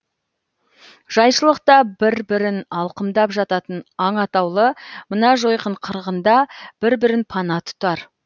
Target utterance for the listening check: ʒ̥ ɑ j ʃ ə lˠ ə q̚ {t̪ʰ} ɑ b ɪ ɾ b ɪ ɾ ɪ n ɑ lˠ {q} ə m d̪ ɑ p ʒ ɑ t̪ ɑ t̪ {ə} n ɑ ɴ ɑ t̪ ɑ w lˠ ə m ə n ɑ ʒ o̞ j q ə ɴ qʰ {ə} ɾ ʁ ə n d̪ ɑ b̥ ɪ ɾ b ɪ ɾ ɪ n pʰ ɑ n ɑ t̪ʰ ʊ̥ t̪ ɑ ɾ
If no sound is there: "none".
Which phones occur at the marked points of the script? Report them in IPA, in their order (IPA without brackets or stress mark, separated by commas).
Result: t̪, q, ə, ə